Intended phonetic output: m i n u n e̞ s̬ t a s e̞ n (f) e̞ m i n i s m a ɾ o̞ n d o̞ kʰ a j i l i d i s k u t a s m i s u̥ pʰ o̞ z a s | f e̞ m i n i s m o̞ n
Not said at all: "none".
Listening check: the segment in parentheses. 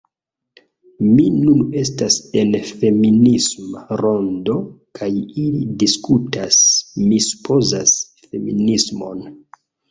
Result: f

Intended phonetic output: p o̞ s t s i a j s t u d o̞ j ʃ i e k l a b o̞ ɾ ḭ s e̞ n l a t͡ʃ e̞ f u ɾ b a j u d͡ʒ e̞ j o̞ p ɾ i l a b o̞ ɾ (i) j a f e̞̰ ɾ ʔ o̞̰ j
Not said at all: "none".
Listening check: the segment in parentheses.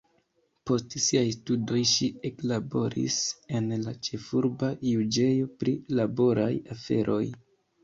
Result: a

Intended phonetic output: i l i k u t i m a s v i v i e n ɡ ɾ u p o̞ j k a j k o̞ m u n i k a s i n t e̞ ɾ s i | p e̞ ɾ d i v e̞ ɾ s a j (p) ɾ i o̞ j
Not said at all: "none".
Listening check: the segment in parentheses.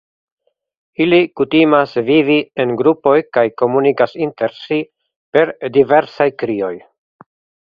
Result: k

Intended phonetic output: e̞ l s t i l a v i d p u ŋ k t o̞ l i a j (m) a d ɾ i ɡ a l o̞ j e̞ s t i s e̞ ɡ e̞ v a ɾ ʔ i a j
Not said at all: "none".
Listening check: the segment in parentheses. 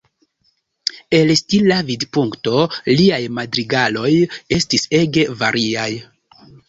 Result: m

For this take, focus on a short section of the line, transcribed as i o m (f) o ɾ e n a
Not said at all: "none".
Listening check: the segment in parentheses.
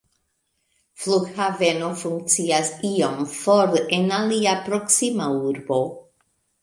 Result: f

